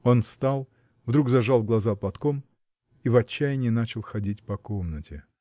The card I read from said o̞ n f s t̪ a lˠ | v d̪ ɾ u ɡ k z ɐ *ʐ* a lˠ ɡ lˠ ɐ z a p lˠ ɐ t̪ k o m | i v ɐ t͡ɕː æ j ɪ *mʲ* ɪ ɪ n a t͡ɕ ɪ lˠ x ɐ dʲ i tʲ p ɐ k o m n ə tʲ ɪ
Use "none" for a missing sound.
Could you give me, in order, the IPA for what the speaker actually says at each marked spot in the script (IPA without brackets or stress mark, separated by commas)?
ʐ, nʲ